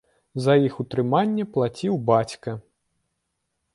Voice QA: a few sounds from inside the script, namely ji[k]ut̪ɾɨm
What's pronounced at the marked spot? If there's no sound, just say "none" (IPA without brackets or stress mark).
x